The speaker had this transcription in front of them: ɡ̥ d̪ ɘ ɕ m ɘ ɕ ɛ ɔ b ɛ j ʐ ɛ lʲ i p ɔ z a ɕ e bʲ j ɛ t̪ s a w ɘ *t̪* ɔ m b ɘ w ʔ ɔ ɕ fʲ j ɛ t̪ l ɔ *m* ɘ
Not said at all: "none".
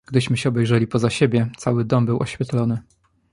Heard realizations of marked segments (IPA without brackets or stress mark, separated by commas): d̪, n